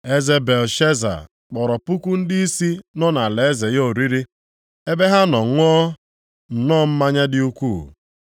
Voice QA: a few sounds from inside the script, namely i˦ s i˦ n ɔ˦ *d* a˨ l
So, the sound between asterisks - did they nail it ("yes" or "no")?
no